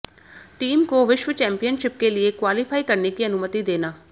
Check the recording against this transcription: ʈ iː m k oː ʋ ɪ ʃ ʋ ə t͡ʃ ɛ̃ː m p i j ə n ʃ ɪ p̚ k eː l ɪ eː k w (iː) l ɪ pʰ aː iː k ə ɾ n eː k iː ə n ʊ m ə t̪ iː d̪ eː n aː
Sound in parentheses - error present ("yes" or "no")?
yes